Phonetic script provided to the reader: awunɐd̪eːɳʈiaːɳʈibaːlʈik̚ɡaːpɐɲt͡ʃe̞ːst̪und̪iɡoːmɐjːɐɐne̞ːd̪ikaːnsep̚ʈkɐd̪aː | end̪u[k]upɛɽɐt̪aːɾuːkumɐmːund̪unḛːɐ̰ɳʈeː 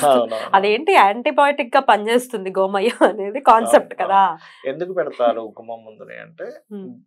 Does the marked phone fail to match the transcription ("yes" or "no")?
no